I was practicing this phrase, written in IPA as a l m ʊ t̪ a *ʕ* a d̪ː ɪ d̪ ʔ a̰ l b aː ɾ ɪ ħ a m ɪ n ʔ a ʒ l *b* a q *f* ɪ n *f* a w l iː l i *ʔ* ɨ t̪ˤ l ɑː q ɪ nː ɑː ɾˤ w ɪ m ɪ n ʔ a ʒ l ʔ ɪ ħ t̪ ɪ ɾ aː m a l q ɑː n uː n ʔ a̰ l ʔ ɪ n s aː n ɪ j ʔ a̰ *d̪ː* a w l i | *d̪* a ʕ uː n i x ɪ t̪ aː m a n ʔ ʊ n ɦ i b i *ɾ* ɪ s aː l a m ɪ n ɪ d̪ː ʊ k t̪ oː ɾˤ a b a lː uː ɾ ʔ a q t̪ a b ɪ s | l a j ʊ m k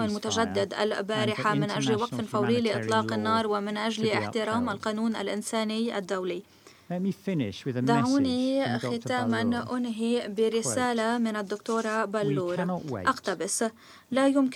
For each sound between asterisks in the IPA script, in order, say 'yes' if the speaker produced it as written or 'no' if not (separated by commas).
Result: no, no, yes, yes, yes, yes, yes, yes